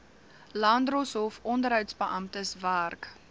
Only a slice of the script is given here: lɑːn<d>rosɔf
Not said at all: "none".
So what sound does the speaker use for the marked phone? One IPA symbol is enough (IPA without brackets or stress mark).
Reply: d